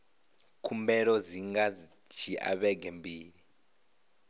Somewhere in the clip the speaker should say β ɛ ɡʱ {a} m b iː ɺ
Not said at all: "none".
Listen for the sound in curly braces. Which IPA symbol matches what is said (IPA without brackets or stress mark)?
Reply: ɛ